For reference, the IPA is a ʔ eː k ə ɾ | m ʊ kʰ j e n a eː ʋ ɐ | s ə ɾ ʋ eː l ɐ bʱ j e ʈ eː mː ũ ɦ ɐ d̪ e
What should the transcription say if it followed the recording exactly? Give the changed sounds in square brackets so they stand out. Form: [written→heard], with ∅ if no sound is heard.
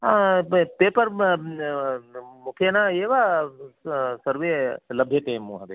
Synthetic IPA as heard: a [ʔ→p] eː [k→p] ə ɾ | m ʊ kʰ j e n a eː ʋ [ɐ→a] | s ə ɾ ʋ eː l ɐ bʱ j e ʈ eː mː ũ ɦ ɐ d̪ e